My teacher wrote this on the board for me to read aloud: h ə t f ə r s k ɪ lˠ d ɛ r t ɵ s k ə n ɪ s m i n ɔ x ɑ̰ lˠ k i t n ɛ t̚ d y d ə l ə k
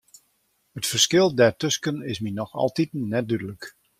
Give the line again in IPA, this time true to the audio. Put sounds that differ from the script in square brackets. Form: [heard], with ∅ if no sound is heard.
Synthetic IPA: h ə t f ə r s k ɪ lˠ d ɛ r t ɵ s k ə n ɪ s m i n ɔ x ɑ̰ lˠ [t] i t n ɛ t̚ d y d ə l ə k